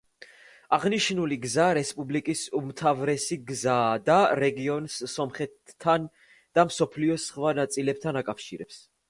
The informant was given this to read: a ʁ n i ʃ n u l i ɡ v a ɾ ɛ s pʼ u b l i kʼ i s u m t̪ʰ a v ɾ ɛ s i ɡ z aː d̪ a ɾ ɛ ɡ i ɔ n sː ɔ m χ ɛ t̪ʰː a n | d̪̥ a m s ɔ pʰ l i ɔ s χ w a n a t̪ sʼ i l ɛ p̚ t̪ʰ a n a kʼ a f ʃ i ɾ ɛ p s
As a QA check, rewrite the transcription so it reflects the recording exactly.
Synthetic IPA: a ʁ n i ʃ n u l i ɡ z a ɾ ɛ s pʼ u b l i kʼ i s u m t̪ʰ a v ɾ ɛ s i ɡ z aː d̪ a ɾ ɛ ɡ i ɔ n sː ɔ m χ ɛ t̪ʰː a n | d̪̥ a m s ɔ pʰ l i ɔ s χ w a n a t̪ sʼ i l ɛ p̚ t̪ʰ a n a kʼ a f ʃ i ɾ ɛ p s